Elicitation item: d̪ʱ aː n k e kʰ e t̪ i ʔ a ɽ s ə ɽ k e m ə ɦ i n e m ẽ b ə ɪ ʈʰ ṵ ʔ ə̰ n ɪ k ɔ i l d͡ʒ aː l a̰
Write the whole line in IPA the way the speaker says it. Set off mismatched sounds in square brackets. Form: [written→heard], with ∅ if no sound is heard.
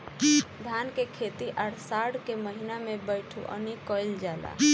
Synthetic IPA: d̪ʱ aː n k e kʰ e t̪ i ʔ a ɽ s [ə→a] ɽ k e m ə ɦ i n [e→a] m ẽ b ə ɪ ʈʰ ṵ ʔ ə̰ n [ɪ→i] k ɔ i l d͡ʒ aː l a̰